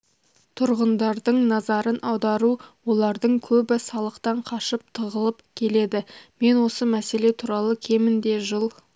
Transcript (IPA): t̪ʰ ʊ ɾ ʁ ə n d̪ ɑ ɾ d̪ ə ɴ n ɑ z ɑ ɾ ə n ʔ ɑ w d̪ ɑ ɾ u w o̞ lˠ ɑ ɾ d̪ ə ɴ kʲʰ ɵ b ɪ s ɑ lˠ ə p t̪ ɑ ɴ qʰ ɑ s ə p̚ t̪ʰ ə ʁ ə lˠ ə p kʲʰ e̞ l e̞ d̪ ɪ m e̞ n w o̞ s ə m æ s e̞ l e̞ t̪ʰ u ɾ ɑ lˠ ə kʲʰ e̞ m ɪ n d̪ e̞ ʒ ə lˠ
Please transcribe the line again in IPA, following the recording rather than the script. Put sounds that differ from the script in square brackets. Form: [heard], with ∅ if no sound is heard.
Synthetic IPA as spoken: t̪ʰ ʊ ɾ ʁ ə n d̪ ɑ ɾ d̪ ə ɴ n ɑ z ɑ ɾ ə n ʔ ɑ w d̪ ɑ ɾ u w o̞ lˠ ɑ ɾ d̪ ə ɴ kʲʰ ɵ b ɪ s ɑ lˠ ə [q] t̪ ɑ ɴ qʰ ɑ [ʃ] ə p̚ t̪ʰ ə ʁ ə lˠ ə p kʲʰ e̞ l e̞ d̪ ɪ m e̞ n w o̞ s ə m æ s e̞ l e̞ t̪ʰ u ɾ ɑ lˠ ə kʲʰ e̞ m ɪ n d̪ e̞ ʒ ə lˠ